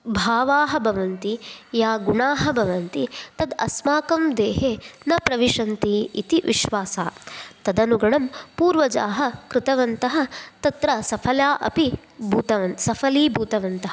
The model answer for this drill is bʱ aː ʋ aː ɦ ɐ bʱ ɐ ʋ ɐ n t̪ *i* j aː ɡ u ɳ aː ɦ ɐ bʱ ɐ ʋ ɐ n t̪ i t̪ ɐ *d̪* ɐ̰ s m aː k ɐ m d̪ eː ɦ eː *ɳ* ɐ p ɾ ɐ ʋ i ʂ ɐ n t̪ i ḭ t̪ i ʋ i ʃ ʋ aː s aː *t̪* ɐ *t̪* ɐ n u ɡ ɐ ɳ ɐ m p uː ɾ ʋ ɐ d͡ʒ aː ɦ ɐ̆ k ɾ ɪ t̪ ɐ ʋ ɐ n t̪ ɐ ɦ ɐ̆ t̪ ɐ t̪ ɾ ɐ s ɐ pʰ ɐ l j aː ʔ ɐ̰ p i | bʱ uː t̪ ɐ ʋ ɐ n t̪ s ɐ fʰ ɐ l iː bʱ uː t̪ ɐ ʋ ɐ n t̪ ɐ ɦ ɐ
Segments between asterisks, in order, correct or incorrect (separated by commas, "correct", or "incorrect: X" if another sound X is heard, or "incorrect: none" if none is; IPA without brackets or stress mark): correct, correct, incorrect: n, correct, incorrect: d̪